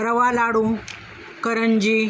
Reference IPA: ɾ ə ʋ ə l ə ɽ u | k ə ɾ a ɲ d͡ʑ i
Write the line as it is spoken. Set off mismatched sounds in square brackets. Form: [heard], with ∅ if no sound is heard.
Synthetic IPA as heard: ɾ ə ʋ [a] l [a] ɽ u | k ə ɾ [ə] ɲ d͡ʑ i